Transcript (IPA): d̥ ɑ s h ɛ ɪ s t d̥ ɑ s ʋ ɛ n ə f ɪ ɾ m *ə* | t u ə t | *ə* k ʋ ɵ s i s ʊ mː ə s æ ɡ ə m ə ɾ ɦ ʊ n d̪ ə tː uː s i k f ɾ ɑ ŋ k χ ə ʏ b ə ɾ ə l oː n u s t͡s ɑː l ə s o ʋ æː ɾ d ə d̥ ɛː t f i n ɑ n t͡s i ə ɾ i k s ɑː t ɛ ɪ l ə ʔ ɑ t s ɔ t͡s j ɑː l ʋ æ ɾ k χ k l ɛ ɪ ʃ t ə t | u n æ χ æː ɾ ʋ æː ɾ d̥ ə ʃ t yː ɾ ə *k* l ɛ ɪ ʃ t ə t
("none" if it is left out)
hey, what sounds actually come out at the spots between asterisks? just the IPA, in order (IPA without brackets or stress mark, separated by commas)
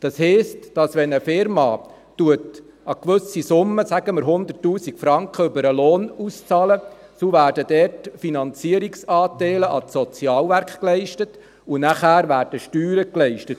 ɑ, ɑ, k